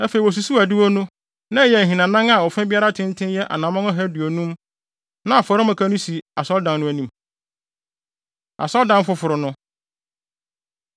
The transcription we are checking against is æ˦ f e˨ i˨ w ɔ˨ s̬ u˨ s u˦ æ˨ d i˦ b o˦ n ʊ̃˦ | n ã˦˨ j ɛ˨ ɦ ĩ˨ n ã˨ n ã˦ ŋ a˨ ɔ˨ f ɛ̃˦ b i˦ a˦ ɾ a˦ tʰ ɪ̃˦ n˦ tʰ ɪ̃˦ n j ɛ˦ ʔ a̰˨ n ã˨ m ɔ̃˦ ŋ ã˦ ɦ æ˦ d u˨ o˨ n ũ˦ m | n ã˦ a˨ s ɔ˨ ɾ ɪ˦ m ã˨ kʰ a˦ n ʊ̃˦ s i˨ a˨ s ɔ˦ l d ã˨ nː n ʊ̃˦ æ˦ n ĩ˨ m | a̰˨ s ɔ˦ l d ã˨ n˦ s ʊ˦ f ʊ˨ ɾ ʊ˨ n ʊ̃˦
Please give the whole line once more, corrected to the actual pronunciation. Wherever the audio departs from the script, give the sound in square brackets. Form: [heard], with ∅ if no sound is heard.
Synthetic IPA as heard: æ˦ f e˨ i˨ w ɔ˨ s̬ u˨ s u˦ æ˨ d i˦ [w] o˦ n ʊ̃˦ | n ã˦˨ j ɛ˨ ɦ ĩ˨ n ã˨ n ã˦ ŋ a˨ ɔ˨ f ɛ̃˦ b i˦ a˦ ɾ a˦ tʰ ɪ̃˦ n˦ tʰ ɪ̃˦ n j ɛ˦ ʔ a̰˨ n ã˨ m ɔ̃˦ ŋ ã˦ ɦ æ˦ d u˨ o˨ n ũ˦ m | n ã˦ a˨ [f] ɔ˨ ɾ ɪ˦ m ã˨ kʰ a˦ n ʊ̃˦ s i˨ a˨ s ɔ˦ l d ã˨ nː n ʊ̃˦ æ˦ n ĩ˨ m | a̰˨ s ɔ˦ l d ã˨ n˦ [f] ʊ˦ f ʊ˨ ɾ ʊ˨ n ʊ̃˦